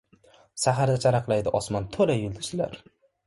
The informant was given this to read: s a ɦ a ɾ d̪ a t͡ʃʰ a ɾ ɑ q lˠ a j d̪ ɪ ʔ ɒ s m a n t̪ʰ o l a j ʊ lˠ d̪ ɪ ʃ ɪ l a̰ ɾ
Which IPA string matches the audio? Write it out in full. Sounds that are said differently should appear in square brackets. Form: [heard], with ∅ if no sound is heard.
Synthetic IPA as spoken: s a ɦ a ɾ d̪ a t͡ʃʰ a ɾ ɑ q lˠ a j d̪ ɪ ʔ ɒ s m a n t̪ʰ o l a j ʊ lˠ d̪ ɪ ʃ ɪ l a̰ ɾ